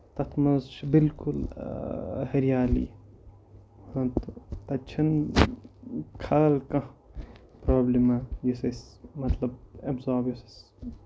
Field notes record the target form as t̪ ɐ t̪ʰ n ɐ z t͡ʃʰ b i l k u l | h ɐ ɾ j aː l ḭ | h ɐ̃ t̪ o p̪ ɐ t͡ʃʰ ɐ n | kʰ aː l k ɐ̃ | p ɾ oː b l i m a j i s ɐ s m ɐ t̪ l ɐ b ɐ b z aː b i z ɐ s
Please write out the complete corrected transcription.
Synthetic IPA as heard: t̪ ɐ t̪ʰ m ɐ z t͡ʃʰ b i l k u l | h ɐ ɾ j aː l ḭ | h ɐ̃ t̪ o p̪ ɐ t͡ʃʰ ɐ n | kʰ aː l k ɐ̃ | p ɾ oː b l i m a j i s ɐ s m ɐ t̪ l ɐ b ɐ b z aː b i s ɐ s